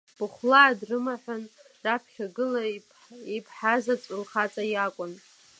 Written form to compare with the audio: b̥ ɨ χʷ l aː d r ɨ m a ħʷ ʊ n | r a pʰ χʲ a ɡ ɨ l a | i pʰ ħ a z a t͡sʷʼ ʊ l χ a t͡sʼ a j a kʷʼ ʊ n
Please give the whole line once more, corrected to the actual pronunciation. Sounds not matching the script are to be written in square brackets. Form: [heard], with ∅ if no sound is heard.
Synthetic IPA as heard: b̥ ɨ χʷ l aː d r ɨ m a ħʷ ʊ n | r a pʰ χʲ a ɡ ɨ l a | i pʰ ħ a z a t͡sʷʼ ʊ l χ a t͡sʼ a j a kʷʼ ʊ n